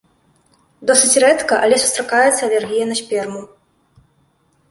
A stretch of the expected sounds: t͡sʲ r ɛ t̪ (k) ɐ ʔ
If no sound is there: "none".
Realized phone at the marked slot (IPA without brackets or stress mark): k